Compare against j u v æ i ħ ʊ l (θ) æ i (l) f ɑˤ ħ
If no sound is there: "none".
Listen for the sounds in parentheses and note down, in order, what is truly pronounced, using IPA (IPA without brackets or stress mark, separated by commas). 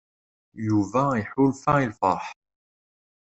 f, l